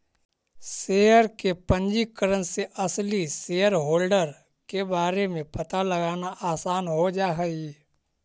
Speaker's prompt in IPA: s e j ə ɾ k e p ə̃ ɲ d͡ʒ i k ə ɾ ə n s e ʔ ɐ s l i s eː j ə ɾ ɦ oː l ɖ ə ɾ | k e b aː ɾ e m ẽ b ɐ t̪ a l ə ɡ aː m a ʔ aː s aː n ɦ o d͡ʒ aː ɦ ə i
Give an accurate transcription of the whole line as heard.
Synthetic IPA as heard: s e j ə ɾ k e p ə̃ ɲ d͡ʒ i k ə ɾ ə n s e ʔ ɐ s l i s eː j ə ɾ ɦ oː l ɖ ə ɾ | k e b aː ɾ e m ẽ p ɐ t̪ a l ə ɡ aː n a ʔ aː s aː n ɦ o d͡ʒ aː ɦ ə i